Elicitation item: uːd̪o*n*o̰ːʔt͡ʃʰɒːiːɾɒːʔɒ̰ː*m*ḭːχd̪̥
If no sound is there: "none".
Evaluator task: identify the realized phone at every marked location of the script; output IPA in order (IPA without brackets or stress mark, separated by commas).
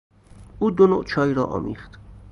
n, m